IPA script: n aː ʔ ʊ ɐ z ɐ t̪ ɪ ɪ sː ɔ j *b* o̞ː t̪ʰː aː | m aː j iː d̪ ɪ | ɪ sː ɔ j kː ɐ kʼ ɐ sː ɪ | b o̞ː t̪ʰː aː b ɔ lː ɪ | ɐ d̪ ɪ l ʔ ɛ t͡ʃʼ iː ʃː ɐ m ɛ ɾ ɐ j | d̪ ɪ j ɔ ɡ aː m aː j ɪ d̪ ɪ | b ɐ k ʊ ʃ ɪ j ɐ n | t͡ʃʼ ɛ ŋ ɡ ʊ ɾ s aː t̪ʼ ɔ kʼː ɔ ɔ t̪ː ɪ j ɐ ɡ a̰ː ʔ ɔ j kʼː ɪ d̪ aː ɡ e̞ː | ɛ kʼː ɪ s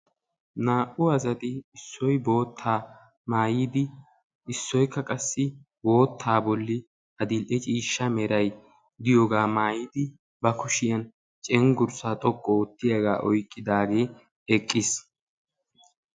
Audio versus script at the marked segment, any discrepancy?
no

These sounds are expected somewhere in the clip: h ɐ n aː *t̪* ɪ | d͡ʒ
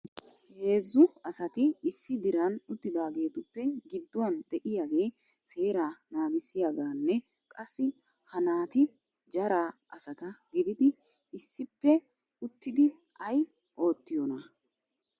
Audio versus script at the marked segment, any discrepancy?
no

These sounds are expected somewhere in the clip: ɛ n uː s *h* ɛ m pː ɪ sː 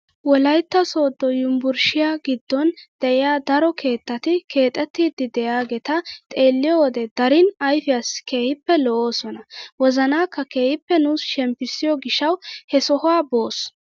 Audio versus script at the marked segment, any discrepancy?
yes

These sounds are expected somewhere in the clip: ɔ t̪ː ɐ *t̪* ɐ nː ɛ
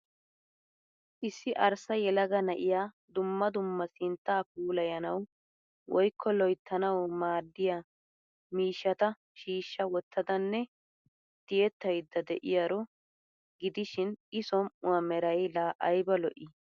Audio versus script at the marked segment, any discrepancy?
yes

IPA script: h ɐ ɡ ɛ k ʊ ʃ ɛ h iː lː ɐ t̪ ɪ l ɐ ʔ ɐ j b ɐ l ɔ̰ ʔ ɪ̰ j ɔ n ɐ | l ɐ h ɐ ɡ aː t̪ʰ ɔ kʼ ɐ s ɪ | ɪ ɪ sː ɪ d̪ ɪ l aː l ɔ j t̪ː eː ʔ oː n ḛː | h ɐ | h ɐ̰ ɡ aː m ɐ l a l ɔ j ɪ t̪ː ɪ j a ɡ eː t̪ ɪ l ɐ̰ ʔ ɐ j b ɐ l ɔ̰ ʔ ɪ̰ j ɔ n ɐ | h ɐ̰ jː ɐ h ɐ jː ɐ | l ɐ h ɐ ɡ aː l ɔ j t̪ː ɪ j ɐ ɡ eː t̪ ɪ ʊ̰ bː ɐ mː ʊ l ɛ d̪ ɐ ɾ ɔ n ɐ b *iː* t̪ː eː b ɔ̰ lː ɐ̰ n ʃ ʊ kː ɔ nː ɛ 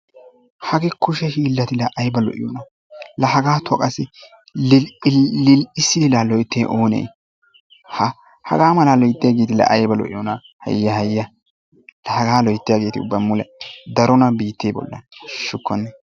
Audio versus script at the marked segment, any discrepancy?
no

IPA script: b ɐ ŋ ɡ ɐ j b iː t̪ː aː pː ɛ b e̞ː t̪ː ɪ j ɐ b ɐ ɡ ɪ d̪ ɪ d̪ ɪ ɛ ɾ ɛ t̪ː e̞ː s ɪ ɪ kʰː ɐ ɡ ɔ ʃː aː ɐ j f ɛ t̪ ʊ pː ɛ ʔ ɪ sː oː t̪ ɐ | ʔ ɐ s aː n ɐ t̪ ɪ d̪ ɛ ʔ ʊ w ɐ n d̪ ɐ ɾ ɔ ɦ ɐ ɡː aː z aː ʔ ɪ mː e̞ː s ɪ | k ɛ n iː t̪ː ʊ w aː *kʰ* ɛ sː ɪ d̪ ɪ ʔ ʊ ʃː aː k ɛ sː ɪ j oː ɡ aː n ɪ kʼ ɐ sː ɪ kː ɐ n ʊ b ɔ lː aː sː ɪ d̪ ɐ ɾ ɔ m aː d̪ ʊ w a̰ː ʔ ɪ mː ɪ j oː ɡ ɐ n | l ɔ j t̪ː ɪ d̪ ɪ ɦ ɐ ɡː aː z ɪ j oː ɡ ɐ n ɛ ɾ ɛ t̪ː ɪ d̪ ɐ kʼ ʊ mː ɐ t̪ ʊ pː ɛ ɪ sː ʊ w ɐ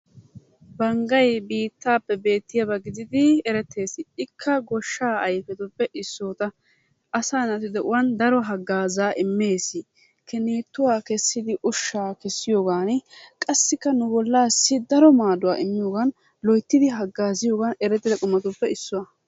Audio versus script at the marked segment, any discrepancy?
yes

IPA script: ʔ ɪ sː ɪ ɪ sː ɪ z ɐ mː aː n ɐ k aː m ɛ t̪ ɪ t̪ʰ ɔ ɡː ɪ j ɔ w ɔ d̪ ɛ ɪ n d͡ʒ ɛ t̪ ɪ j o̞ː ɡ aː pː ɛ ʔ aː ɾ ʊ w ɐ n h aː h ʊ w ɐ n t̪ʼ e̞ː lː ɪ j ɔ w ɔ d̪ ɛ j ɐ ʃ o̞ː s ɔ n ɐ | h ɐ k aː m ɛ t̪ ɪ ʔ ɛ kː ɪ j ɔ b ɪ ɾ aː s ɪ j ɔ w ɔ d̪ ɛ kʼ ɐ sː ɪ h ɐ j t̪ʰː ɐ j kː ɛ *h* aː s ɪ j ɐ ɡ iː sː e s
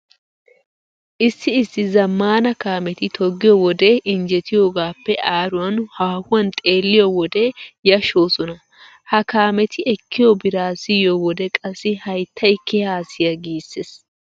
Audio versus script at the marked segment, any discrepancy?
no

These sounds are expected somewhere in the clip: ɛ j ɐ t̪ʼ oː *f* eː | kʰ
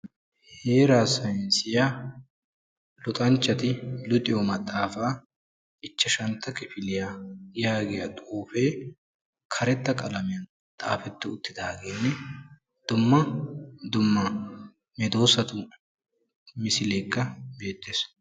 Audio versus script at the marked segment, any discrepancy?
no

